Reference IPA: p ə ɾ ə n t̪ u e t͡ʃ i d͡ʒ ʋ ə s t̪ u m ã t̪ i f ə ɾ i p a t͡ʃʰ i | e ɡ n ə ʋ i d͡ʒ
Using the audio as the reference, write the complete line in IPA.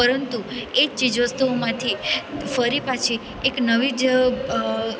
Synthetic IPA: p ə ɾ ə n t̪ u e t͡ʃ i d͡ʒ ʋ ə s t̪ u m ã t̪ʰ i f ə ɾ i p a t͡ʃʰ i | e k n ə ʋ i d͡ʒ